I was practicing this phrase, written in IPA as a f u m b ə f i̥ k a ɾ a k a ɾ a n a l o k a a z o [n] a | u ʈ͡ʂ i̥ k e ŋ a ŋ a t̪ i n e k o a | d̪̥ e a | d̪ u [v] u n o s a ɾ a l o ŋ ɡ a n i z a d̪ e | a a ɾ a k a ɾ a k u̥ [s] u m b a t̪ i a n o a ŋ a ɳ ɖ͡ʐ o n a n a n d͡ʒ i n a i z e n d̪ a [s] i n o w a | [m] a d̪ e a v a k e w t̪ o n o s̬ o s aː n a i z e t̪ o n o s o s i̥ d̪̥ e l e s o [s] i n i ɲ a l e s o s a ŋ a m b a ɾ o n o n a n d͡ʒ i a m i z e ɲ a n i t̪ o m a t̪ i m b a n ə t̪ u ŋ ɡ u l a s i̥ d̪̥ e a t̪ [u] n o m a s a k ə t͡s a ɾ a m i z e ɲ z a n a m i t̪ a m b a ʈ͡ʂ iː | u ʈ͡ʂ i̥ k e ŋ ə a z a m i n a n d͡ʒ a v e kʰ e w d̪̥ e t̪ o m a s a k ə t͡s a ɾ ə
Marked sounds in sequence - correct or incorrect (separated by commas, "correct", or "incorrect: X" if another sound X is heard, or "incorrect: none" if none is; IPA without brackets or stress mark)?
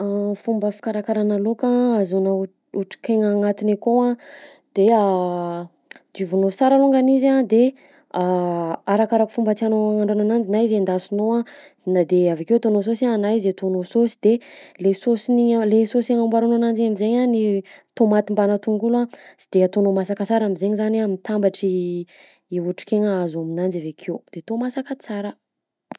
correct, correct, incorrect: f, correct, incorrect: n, correct, incorrect: o